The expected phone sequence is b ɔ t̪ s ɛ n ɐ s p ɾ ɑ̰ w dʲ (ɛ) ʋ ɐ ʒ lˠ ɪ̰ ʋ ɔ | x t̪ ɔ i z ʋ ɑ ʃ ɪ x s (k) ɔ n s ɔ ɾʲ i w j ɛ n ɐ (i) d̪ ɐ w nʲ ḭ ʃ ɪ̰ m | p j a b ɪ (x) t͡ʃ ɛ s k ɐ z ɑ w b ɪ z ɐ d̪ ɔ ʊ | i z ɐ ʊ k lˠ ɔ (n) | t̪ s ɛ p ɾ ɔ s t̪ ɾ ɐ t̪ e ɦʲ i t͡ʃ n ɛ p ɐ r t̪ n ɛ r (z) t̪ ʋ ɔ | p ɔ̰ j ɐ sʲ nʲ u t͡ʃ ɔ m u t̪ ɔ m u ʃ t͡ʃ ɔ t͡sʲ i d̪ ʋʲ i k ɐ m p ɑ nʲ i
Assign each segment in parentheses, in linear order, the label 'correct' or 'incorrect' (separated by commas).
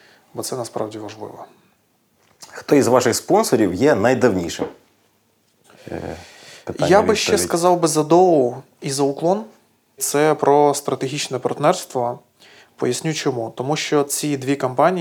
incorrect, incorrect, incorrect, incorrect, correct, incorrect